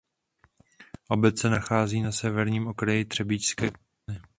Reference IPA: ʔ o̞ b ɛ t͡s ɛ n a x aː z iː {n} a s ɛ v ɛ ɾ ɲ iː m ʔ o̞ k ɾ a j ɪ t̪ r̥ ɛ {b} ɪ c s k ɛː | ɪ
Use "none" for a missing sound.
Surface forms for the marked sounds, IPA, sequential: n, b

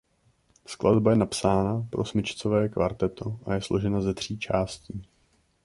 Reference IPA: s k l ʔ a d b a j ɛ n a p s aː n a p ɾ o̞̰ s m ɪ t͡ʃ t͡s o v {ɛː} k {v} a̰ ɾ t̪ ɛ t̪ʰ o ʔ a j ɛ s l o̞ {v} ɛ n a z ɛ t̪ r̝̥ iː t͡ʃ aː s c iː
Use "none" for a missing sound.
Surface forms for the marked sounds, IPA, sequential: ɛː, v, ʒ

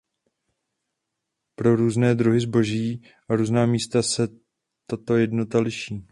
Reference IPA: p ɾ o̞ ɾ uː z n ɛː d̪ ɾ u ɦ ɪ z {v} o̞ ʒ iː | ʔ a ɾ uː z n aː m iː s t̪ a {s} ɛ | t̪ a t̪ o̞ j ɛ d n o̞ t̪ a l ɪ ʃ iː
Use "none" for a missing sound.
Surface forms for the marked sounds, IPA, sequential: b, s

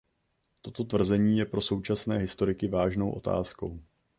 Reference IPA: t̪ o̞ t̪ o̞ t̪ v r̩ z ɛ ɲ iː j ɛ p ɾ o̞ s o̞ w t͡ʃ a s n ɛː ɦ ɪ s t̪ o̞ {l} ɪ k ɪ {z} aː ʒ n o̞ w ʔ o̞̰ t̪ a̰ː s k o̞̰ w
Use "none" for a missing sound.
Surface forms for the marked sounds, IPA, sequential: ɾ, v

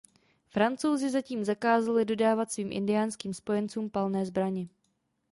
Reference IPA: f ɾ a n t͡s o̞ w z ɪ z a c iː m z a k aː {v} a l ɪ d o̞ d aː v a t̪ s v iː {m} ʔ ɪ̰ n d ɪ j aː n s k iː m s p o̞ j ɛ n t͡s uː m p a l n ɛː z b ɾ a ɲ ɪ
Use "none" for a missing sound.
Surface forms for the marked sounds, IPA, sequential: z, m

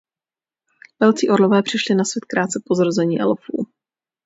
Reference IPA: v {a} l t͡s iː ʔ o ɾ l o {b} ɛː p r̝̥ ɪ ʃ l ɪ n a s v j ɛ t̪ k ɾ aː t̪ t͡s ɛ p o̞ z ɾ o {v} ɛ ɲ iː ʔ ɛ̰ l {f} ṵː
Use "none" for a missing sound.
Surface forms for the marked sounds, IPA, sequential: ɛ, v, z, f

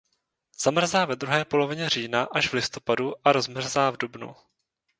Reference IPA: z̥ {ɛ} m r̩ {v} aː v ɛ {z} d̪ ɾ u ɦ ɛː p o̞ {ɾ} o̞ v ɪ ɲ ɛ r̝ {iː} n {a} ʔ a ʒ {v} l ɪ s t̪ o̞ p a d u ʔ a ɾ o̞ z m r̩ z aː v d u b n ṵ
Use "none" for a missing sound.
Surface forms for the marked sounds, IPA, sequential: a, z, none, l, iː, a, v

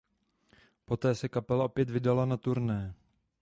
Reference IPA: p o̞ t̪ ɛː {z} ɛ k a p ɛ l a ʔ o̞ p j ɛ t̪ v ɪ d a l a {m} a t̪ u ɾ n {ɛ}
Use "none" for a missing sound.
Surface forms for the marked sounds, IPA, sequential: s, n, ɛː

